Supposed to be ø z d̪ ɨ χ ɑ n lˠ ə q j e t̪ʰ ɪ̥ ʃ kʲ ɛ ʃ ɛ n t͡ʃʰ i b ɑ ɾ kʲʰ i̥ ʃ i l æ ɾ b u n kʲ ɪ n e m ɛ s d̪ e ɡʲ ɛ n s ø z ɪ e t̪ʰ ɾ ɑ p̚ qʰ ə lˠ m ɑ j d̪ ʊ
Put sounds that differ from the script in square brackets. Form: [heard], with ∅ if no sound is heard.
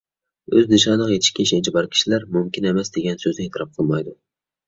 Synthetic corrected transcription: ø z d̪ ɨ [ʃ] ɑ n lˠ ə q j e t̪ʰ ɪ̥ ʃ kʲ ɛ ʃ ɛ n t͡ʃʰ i b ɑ ɾ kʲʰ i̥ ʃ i l æ ɾ [m] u [m] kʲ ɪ n e m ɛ s d̪ e ɡʲ ɛ n s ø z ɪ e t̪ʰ ɾ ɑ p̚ qʰ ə lˠ m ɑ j d̪ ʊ